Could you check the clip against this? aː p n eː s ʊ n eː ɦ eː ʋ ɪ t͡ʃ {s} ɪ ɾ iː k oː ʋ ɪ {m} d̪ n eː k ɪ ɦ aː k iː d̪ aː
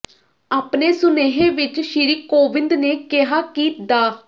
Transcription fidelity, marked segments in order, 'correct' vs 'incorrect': incorrect: ʃ, incorrect: n

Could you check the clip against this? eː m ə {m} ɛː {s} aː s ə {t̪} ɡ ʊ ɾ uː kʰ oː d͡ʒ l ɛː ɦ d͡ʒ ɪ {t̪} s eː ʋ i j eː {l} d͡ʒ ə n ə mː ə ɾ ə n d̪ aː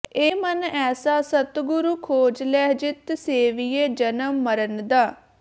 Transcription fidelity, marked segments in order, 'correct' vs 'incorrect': incorrect: n, correct, correct, correct, incorrect: none

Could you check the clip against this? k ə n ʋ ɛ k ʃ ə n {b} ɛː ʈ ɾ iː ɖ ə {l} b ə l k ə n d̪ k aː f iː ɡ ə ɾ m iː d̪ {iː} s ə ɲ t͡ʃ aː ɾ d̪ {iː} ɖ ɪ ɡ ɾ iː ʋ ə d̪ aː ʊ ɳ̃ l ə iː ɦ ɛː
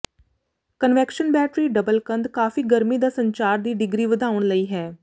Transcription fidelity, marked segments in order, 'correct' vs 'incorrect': correct, incorrect: none, incorrect: aː, correct

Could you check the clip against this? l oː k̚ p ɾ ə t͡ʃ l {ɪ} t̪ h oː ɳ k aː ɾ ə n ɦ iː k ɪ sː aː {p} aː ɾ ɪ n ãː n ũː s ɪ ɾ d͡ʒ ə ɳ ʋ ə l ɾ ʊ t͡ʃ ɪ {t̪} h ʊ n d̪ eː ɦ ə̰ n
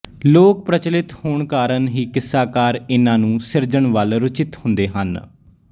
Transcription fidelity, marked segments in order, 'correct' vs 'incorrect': correct, incorrect: k, correct

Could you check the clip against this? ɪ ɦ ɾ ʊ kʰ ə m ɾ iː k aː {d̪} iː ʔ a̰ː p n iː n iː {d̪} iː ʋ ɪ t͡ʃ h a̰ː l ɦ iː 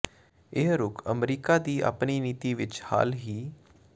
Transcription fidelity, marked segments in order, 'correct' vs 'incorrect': correct, incorrect: t̪

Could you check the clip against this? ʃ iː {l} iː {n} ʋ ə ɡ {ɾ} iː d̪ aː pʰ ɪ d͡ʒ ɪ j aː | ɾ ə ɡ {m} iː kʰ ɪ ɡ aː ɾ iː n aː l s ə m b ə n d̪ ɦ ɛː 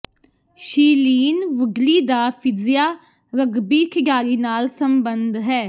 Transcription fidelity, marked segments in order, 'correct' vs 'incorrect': correct, correct, incorrect: l, incorrect: b

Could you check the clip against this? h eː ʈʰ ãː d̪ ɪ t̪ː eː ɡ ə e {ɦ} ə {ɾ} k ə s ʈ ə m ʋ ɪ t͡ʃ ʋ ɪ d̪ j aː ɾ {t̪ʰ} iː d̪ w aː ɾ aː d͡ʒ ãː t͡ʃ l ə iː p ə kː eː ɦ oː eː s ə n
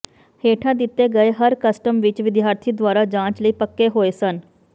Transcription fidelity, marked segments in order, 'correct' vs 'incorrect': correct, correct, correct

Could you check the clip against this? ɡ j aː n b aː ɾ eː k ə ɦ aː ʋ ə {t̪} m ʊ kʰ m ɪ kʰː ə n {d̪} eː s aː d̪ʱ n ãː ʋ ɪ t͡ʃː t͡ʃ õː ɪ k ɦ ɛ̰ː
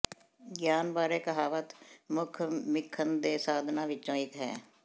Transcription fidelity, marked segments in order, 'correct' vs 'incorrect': correct, correct

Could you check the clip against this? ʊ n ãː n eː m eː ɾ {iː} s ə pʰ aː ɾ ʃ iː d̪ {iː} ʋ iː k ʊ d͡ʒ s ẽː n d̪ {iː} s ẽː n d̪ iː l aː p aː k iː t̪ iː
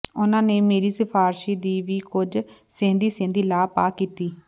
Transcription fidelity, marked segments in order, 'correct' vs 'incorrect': correct, correct, correct

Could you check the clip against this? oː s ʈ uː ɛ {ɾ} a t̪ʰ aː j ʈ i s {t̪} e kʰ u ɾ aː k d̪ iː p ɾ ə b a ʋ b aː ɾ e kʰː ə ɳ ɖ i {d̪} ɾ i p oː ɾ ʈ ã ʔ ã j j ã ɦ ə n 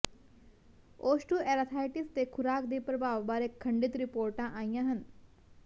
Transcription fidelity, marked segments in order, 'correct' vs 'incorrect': correct, correct, incorrect: t̪

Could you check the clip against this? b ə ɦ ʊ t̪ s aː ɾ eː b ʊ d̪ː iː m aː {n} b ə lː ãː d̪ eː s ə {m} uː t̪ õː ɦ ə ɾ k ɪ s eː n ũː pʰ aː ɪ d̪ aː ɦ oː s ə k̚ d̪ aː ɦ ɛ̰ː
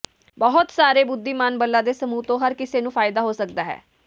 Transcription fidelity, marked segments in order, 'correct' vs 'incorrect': correct, correct

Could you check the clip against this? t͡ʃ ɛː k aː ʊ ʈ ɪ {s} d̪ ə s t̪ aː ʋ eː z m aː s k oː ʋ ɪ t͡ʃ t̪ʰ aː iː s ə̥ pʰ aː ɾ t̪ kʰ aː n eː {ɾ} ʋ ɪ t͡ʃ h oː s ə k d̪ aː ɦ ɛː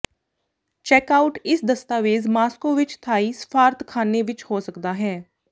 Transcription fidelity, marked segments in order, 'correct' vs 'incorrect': correct, incorrect: none

